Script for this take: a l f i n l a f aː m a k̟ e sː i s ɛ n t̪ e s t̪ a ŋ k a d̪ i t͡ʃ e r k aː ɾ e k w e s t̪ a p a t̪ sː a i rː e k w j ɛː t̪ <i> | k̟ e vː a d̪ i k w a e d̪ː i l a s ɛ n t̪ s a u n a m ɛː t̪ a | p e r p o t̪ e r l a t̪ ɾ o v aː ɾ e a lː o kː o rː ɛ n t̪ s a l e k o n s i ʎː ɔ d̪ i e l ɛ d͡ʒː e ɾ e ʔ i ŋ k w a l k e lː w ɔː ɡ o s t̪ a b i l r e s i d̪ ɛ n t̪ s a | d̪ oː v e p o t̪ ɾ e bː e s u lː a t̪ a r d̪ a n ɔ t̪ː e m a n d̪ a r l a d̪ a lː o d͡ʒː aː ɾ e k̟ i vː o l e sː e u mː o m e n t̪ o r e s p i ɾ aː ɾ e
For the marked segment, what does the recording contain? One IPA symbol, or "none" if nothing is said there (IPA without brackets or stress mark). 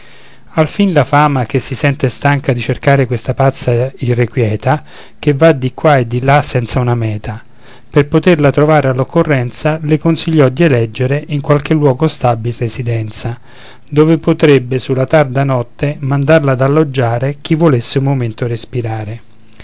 a